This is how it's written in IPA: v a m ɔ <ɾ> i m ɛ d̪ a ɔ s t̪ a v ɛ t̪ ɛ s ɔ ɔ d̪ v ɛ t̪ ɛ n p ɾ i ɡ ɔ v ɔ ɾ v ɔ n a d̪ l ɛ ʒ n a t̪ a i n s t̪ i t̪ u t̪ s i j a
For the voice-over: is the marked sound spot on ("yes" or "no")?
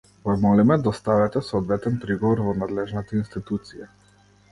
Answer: no